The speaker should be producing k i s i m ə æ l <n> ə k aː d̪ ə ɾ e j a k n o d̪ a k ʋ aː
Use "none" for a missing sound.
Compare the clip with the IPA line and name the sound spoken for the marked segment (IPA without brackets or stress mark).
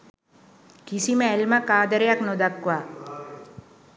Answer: m